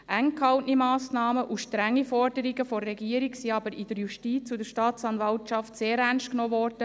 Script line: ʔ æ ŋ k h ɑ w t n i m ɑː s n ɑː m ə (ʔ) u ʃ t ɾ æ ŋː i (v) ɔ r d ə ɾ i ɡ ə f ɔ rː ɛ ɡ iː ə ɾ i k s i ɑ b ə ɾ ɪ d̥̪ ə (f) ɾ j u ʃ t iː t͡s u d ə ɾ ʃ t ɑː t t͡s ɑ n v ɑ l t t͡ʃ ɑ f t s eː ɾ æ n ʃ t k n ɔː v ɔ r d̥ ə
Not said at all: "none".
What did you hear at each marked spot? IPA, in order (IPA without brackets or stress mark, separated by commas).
ʔ, f, none